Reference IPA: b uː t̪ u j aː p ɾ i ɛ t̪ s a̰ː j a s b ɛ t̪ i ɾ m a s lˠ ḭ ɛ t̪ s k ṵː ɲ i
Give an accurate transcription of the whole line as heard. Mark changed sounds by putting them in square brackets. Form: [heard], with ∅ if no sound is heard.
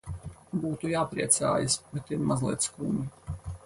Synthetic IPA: b uː t̪ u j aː p ɾ i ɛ t̪ s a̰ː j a s b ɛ t̪ i ɾ m a [z] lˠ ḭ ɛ t̪ s k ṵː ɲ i